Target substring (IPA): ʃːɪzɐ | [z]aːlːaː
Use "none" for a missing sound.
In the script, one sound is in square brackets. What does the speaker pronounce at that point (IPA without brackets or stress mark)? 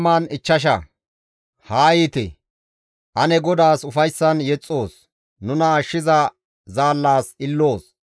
z